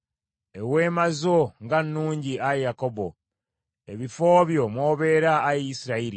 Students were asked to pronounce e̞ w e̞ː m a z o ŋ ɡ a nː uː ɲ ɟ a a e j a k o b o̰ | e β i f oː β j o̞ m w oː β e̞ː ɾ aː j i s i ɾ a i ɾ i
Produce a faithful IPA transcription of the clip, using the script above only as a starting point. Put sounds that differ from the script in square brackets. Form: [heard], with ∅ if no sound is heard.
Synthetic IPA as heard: e̞ w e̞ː m a z o ŋ ɡ a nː uː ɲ ɟ [i] a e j a k o b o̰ | e β i f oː β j o̞ m w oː β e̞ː ɾ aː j i s i ɾ a i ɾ i